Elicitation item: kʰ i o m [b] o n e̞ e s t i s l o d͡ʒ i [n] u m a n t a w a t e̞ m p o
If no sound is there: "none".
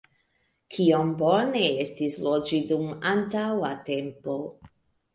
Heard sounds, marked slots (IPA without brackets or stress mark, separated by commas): b, d